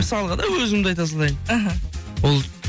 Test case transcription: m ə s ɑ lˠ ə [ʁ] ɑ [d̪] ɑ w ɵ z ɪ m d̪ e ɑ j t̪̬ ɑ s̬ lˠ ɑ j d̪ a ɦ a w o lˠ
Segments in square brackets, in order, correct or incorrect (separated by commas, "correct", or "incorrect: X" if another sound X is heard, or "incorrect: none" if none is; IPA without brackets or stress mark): correct, correct